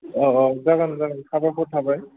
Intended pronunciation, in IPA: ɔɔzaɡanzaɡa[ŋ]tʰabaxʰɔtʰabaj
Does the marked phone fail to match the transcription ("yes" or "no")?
yes